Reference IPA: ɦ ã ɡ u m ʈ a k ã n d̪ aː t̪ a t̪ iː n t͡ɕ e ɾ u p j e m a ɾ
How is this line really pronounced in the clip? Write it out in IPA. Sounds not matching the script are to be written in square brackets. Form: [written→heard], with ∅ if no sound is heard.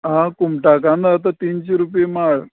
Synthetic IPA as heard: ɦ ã [ɡ→k] u m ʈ a k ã n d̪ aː t̪ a t̪ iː n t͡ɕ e ɾ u p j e m a [ɾ→ɭ]

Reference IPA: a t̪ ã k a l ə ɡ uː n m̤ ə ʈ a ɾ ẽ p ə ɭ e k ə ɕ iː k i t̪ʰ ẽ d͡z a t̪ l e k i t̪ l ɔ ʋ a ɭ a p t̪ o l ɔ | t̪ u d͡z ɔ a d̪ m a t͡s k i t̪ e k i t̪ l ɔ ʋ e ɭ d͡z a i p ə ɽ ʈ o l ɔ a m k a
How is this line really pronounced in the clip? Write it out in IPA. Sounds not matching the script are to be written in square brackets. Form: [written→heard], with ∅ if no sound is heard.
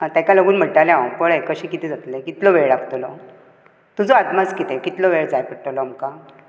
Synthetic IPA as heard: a t̪ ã k a l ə ɡ uː n m̤ ə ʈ a [ɾ→l] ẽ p ə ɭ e k ə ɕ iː k i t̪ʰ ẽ d͡z a t̪ l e k i t̪ l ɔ ʋ [a→e] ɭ a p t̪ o l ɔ | t̪ u d͡z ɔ a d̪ m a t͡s k i t̪ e k i t̪ l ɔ ʋ e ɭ d͡z a [i→j] p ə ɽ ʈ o l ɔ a m k a

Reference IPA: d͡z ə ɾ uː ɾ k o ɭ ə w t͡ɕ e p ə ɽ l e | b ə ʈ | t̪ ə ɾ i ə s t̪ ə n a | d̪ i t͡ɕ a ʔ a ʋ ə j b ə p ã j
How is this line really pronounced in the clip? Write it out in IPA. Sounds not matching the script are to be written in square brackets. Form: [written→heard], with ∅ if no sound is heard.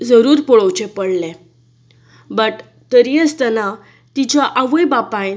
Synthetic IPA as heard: d͡z ə ɾ uː ɾ [k→p] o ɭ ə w t͡ɕ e p ə ɽ l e | b ə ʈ | t̪ ə ɾ i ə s t̪ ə n a | [d̪→t̪] i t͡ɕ a ʔ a ʋ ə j b [ə→a] p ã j

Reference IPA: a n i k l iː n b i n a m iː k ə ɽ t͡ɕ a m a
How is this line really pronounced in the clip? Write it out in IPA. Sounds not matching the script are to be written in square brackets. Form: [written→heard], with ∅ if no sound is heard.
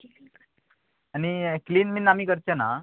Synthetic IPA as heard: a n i k l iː n [b→m] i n a m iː k ə [ɽ→ɾ] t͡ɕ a [m→n] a

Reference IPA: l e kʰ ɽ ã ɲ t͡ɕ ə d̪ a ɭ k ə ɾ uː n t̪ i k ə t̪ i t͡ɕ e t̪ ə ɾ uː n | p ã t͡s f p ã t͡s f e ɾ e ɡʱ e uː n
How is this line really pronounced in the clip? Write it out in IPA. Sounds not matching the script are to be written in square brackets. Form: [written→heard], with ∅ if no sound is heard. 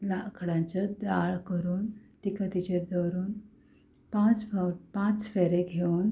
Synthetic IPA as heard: l [e→a] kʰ ɽ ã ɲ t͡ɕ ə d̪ a ɭ k ə ɾ uː n t̪ i k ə t̪ i t͡ɕ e [t̪→d̪] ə ɾ uː n | p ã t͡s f p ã t͡s f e ɾ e ɡʱ e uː n

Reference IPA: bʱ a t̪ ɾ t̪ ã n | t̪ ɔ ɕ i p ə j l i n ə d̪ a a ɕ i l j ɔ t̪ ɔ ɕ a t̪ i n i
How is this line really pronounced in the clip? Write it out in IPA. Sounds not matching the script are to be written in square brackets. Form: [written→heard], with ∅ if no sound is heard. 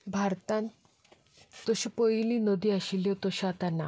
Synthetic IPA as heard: bʱ a [t̪→∅] ɾ t̪ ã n | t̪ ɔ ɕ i p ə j l i n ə d̪ [a→i] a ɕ i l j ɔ t̪ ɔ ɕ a t̪ [i→a] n [i→a]

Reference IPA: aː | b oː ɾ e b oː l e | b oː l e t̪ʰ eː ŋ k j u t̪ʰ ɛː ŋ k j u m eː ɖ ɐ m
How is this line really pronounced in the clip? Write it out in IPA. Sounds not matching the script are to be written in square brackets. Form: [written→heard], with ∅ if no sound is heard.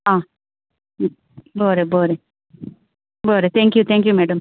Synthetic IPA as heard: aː | b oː ɾ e b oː [l→ɾ] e | b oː [l→ɾ] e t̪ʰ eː ŋ k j u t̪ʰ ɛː ŋ k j u m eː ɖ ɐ m

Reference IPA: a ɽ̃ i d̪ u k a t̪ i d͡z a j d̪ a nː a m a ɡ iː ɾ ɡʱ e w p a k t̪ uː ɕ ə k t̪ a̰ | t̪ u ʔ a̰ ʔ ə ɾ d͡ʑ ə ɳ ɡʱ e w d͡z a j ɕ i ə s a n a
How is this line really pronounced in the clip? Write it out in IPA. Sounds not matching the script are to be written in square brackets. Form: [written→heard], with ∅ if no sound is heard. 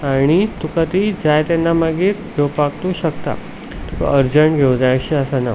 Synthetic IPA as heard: a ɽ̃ i [d̪→t̪] u k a t̪ i d͡z a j [d̪→t̪] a nː a m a ɡ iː ɾ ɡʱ e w p a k t̪ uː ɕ ə k t̪ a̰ | t̪ u [ʔ→k] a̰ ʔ ə ɾ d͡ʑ ə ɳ ɡʱ e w d͡z a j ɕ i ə s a n a

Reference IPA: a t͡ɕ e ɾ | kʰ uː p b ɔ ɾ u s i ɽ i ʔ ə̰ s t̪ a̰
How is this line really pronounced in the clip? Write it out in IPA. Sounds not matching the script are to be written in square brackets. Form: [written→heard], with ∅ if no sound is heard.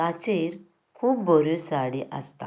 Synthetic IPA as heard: a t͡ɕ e ɾ | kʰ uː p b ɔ ɾ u s [i→a] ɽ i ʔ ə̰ s t̪ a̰

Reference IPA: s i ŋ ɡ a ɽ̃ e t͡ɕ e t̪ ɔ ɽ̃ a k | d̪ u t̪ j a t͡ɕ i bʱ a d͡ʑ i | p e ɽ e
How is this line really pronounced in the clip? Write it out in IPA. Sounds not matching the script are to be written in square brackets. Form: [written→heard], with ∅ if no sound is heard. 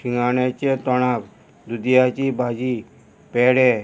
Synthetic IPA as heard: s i ŋ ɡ a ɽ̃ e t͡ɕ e t̪ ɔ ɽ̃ a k | d̪ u [t̪→d̪] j a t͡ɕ i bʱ a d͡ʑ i | p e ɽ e

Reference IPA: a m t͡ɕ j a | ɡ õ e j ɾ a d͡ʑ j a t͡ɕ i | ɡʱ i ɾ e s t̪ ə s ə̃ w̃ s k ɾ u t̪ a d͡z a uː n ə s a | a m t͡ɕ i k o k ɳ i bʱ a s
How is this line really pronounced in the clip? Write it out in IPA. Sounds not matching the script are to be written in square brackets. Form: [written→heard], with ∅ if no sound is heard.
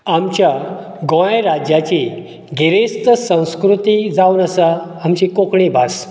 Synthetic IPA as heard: a m t͡ɕ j a | ɡ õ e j ɾ a d͡ʑ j a t͡ɕ i | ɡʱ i ɾ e s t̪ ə s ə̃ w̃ s k ɾ u t̪ [a→i] d͡z a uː n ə s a | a m t͡ɕ i k o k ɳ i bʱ a s

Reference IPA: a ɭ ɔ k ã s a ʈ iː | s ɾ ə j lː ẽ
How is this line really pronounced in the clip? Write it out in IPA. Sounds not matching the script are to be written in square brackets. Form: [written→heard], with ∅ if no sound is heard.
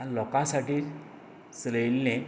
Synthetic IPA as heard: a [ɭ→l] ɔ k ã s a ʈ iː | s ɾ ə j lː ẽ

